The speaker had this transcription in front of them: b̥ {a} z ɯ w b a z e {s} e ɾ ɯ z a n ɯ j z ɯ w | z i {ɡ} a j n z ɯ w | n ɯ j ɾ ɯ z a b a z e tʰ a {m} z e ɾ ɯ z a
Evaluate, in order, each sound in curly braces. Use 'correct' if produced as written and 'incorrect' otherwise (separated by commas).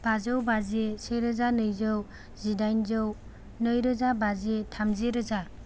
correct, correct, incorrect, correct